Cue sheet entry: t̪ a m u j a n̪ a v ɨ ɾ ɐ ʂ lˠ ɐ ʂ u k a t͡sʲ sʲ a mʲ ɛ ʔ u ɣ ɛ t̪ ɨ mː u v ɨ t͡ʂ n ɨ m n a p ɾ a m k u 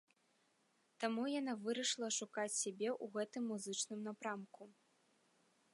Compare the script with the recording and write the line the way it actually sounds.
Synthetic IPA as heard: t̪ a m u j a n̪ a v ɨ ɾ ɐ ʂ lˠ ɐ ʂ u k a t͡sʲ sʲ a bʲ ɛ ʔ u ɣ ɛ t̪ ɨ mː u z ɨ t͡ʂ n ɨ m n a p ɾ a m k u